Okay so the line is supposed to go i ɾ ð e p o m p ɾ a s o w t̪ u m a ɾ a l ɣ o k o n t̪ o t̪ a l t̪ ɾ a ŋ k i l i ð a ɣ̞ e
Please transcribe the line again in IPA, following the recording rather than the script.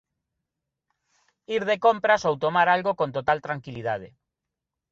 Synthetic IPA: i ɾ ð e k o m p ɾ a s o w t̪ o m a ɾ a l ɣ o k o n t̪ o t̪ a l t̪ ɾ a ŋ k i l i ð a ð̞ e